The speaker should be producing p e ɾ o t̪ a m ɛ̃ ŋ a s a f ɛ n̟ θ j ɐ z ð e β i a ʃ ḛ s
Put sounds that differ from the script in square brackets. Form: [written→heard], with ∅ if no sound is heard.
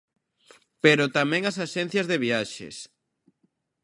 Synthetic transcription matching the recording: p e ɾ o t̪ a m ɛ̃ ŋ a s a [f→ʃ] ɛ n̟ θ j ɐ z ð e β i a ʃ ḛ s